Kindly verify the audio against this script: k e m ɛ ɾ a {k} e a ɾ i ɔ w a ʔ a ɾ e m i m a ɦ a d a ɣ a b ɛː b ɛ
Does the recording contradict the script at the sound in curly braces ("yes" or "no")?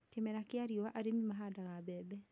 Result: no